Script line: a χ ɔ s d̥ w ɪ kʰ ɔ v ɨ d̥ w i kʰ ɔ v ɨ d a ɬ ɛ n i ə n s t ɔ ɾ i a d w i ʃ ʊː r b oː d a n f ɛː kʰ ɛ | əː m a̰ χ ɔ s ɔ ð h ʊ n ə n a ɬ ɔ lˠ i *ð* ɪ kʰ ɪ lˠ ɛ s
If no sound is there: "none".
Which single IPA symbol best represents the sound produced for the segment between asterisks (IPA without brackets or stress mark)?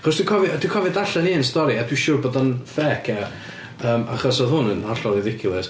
ð